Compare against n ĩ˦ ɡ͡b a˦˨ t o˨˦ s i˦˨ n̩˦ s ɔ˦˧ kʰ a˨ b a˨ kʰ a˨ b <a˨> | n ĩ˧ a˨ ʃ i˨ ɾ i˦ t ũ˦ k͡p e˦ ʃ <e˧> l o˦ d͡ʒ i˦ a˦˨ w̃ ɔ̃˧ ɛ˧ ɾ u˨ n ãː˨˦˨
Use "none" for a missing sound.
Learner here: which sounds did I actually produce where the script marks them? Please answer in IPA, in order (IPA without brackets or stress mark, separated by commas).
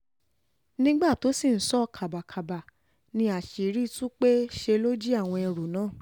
a˨, e˧